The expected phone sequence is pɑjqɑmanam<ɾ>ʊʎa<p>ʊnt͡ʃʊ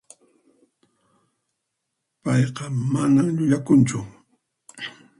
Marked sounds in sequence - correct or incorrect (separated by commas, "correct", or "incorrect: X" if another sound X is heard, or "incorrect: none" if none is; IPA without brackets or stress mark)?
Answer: incorrect: ʎ, incorrect: k